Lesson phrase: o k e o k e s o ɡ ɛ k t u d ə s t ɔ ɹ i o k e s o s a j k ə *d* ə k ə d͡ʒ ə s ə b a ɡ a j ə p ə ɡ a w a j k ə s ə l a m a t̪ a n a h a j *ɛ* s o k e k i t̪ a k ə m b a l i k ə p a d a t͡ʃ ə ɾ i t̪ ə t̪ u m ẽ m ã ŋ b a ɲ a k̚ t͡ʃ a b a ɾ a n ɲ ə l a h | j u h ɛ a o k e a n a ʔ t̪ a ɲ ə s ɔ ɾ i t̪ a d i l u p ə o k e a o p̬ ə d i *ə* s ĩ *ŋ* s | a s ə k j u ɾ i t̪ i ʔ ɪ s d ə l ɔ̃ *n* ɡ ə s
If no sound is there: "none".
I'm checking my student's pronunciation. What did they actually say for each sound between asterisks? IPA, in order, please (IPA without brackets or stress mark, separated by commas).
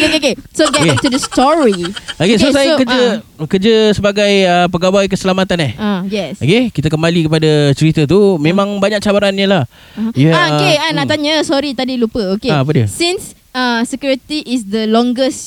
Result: d͡ʒ, ɛ, ə, n, ŋ